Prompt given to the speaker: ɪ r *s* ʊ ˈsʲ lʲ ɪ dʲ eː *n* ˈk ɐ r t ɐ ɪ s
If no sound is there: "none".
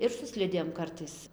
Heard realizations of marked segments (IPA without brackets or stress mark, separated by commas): s, m